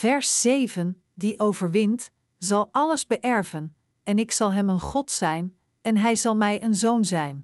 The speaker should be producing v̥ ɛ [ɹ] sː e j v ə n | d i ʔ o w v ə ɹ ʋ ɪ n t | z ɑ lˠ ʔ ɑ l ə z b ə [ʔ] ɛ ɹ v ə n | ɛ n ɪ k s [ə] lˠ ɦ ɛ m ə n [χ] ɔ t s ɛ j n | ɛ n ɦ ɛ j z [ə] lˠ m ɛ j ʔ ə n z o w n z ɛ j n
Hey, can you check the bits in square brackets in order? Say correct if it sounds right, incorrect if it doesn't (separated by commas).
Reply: correct, correct, incorrect, correct, incorrect